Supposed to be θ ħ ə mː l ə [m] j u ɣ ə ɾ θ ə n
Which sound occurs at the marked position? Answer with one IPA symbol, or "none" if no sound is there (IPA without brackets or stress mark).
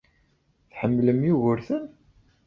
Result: m